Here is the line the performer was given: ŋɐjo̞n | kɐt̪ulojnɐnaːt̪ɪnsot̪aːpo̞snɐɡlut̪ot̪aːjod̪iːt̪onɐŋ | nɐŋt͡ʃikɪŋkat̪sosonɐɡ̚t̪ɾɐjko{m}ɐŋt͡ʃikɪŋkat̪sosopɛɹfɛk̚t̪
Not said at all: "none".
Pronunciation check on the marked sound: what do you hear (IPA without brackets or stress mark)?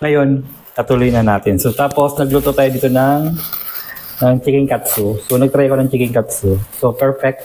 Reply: n